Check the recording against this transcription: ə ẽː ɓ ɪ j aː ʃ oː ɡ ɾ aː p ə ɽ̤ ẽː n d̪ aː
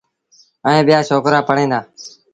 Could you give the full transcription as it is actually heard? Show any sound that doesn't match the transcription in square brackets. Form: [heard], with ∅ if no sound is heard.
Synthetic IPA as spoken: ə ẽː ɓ ɪ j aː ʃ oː [k] ɾ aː p ə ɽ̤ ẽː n d̪ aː